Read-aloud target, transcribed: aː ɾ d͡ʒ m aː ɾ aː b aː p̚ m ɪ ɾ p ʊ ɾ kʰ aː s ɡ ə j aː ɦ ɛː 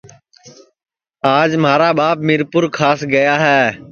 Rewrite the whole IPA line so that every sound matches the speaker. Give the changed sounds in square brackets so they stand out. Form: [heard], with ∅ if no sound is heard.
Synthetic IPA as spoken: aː [∅] d͡ʒ m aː ɾ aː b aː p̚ m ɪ ɾ p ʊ ɾ kʰ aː s ɡ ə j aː ɦ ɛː